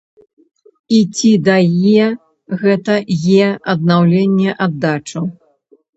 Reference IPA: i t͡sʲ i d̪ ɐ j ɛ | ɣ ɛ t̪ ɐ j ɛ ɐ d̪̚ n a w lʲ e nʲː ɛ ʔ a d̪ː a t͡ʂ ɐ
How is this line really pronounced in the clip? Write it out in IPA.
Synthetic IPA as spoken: i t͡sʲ i d̪ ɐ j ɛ | ɣ ɛ t̪ ɐ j ɛ ɐ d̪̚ n a w lʲ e nʲː ɛ ʔ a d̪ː a t͡ʂ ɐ